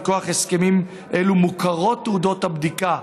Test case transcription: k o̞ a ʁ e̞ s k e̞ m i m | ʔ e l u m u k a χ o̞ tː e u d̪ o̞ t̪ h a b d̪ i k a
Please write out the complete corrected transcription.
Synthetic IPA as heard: k o̞ a χ e̞ s k e̞ m i m | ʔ e l u m u k a ʁ o̞ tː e u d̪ o̞ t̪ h a b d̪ i k a